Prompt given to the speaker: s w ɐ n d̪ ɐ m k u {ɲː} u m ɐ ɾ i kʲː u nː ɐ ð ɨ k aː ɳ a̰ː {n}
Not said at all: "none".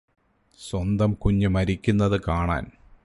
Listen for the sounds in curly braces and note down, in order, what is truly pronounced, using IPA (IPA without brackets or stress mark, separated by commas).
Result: ɲː, n